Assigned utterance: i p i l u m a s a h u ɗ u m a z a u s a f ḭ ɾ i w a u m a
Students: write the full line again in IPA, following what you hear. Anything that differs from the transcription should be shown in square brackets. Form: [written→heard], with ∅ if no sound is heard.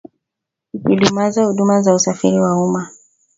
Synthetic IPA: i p i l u m a [s→z] a h u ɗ u m a z a u s a f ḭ ɾ i w a u m a

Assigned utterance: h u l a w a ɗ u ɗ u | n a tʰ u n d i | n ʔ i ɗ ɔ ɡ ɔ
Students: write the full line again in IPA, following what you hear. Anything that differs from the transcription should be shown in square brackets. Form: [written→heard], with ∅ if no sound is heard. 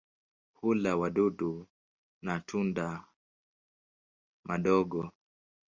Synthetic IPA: h u l a w a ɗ u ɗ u | n a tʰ u n d [i→a] | [n→m] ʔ [i→a] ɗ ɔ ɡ ɔ

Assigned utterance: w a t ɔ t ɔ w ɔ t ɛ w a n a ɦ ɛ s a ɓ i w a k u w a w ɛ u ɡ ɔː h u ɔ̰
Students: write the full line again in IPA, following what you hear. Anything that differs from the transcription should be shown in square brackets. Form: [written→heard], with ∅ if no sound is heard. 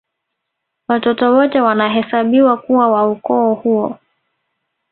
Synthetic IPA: w a t ɔ t ɔ w ɔ t ɛ w a n a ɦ ɛ s a ɓ i w a k u w a w [ɛ→a] u [ɡ→k] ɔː h u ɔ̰

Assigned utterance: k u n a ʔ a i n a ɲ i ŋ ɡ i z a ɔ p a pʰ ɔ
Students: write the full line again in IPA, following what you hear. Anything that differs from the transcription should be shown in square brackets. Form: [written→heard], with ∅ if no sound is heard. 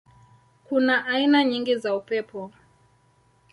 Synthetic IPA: k u n a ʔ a i n a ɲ i ŋ ɡ i z a [ɔ→u] p [a→ɛ] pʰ ɔ

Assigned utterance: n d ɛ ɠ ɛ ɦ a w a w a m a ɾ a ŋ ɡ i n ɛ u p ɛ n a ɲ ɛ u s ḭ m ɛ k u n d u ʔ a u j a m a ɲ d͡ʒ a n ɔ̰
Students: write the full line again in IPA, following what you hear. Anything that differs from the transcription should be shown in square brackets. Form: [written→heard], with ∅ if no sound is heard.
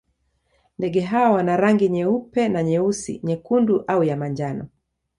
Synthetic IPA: n d ɛ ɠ ɛ ɦ a w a w a [m→n] a ɾ a ŋ ɡ i [n→ɲ] ɛ u p ɛ n a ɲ ɛ u s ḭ [m→ɲ] ɛ k u n d u ʔ a u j a m a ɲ d͡ʒ a n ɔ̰

